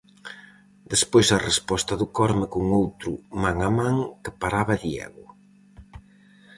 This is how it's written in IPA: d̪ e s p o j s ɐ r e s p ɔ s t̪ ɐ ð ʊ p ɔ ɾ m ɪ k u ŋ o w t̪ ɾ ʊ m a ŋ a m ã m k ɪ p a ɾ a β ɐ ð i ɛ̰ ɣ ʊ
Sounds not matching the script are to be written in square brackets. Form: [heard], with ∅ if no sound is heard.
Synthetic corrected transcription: d̪ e s p o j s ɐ r e s p ɔ s t̪ ɐ ð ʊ [k] ɔ ɾ m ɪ k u ŋ o w t̪ ɾ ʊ m a ŋ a m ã [ŋ] k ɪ p a ɾ a β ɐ ð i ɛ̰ ɣ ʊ